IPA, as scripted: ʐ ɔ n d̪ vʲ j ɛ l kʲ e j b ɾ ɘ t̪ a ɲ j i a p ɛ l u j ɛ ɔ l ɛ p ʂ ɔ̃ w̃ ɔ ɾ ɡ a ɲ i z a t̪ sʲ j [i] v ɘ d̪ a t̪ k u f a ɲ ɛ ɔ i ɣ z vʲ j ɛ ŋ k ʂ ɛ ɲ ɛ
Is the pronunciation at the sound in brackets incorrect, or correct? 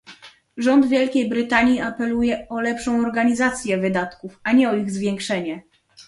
incorrect